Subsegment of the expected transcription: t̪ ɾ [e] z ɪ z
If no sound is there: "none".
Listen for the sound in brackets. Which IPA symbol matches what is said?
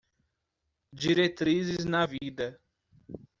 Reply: i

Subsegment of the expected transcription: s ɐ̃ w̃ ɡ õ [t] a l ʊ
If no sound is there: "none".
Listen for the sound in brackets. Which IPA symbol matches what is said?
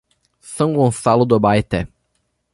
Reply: s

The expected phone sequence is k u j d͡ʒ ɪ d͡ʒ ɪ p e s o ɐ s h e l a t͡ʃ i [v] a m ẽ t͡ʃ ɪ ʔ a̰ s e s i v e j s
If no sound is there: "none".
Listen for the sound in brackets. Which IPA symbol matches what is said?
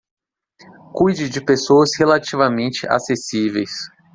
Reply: v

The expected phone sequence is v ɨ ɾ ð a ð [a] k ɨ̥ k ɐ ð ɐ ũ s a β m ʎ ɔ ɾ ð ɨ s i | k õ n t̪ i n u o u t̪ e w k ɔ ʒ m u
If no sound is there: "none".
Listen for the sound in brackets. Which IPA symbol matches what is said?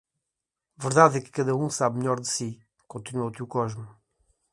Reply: ɛ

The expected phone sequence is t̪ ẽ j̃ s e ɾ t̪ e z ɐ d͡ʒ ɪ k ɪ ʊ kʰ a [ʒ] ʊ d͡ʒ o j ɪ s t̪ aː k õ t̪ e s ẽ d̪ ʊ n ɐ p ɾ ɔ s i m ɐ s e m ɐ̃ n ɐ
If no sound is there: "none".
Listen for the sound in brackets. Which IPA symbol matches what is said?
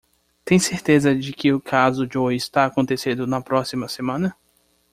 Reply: z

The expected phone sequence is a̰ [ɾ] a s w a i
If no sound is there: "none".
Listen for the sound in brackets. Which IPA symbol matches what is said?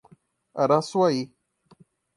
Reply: ɾ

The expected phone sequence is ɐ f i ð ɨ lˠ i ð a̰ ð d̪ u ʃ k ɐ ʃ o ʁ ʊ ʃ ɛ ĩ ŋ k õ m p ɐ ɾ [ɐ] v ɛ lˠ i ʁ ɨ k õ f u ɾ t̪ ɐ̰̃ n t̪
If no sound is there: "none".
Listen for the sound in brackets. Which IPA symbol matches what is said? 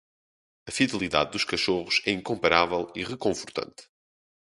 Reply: a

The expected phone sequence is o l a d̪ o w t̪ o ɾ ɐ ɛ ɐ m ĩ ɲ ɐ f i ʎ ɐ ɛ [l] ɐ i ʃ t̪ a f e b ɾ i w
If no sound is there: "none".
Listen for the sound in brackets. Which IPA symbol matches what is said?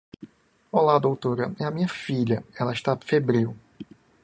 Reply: l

